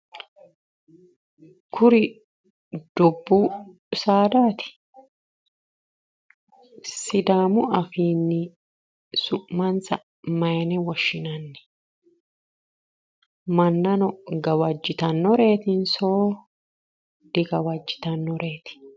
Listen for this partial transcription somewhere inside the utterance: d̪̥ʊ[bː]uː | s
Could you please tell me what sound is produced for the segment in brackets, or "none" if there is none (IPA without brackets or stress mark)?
bː